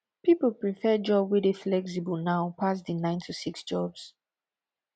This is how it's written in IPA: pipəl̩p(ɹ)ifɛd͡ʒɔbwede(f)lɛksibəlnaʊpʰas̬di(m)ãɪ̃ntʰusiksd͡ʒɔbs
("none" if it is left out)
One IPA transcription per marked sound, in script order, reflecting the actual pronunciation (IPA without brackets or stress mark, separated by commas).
ɹ, f, n